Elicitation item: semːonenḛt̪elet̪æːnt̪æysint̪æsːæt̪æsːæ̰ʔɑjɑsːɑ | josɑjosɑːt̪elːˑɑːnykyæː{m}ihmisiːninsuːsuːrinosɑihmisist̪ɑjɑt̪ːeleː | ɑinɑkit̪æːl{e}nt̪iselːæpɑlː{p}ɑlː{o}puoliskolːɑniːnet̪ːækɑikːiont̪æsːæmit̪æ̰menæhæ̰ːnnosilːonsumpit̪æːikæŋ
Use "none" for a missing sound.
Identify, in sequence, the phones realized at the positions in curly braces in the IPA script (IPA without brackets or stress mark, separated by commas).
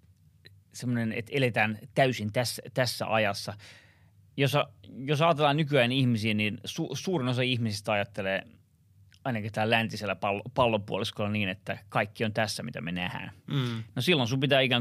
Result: n, æ, p, o